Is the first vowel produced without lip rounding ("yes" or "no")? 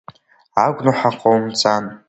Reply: yes